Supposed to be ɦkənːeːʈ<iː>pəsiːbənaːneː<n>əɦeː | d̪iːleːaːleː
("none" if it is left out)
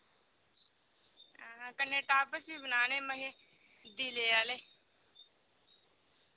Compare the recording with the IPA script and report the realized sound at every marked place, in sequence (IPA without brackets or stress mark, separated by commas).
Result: aː, m